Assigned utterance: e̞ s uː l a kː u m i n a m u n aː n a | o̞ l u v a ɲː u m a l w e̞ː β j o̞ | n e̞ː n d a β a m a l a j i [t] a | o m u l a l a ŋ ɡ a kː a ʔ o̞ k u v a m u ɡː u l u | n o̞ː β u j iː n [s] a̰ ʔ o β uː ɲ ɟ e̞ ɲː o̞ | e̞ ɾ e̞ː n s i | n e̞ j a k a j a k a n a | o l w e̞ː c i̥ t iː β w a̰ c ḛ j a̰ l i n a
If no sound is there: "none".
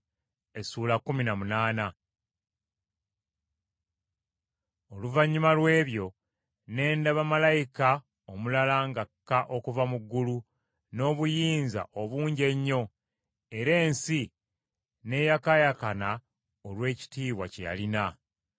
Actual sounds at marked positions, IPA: k, z

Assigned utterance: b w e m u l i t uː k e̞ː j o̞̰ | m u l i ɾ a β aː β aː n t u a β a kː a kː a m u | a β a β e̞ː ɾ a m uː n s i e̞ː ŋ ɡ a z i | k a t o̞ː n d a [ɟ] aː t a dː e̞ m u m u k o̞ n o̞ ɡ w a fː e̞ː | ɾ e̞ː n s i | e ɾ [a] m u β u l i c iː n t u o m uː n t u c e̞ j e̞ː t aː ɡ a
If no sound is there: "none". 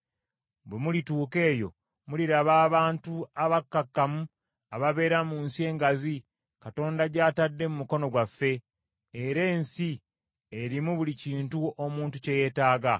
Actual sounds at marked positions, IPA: ɟ, i

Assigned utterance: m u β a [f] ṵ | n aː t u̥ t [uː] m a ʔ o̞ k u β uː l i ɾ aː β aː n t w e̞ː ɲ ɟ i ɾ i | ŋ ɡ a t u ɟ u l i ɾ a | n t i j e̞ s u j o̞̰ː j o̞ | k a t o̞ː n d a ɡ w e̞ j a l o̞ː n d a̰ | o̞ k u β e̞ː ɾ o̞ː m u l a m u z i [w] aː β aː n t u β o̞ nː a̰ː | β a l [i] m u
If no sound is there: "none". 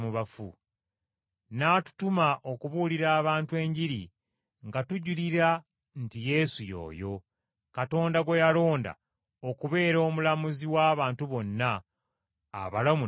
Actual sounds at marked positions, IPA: f, u, w, a

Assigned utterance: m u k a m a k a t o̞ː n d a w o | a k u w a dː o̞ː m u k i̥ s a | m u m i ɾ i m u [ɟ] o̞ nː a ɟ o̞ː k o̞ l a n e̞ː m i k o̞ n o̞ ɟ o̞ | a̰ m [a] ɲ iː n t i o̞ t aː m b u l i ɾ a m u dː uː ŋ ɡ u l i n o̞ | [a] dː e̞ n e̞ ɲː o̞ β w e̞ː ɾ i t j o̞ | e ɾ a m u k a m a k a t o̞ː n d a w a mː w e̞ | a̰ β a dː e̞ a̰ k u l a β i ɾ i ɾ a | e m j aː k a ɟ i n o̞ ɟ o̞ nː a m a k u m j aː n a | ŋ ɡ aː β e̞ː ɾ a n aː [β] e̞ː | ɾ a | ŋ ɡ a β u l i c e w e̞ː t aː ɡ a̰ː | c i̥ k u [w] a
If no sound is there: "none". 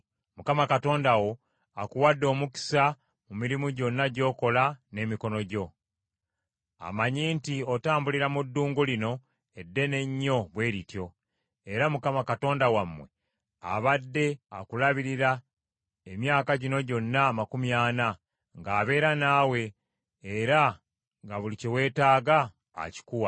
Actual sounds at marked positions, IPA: ɟ, a, e, w, w

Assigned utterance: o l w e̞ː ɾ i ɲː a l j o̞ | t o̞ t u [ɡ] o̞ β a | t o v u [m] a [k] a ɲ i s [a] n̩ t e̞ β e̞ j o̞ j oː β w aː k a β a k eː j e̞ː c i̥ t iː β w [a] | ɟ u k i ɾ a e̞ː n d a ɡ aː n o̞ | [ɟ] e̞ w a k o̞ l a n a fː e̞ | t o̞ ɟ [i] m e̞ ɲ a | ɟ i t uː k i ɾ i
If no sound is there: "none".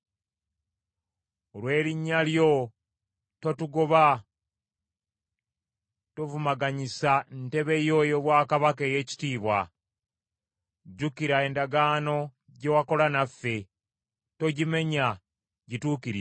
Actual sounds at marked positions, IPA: ɡ, m, ɡ, a, a, ɟ, i

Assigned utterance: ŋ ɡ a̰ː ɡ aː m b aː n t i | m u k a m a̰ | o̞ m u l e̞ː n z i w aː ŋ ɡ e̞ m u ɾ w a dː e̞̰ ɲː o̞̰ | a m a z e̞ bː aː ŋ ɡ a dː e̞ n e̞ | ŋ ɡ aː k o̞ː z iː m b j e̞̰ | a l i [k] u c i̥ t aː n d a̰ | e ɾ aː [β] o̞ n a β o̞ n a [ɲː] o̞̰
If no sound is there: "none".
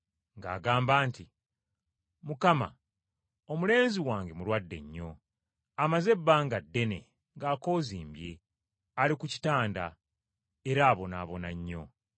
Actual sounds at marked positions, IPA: k, β, ɲː

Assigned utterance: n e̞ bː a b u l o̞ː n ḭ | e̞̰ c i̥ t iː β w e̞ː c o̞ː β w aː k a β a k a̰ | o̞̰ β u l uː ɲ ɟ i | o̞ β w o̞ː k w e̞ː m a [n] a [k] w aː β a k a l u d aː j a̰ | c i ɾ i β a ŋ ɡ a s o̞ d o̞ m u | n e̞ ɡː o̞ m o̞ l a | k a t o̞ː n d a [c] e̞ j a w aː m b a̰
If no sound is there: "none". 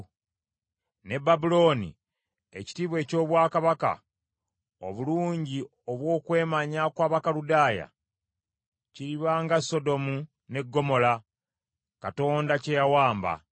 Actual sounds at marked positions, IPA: ɲ, k, c

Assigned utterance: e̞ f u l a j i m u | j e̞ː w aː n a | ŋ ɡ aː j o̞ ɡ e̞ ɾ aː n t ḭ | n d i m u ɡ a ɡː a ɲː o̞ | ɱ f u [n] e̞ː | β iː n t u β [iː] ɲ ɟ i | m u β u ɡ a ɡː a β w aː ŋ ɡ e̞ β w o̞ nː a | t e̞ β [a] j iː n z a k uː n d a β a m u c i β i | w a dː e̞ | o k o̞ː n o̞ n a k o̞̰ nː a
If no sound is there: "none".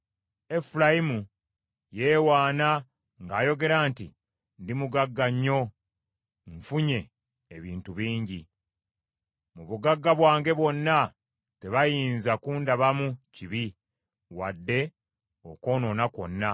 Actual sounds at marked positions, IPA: ɲ, iː, a

